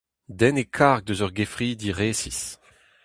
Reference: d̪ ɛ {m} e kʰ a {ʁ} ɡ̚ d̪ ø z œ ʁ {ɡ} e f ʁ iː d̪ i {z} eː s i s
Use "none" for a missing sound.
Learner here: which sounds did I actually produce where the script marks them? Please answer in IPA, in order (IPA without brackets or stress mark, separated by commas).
n, ʁ, ɡ, ʁ